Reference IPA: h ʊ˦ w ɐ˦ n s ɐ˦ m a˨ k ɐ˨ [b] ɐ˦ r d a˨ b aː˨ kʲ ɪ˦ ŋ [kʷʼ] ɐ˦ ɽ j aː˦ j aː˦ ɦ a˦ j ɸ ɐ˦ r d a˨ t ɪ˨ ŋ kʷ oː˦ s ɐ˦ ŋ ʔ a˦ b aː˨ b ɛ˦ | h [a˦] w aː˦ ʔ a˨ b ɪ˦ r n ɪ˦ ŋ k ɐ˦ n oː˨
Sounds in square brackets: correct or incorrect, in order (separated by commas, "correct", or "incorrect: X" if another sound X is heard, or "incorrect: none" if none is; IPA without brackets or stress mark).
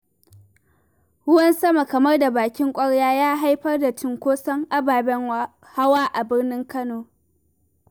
incorrect: m, correct, correct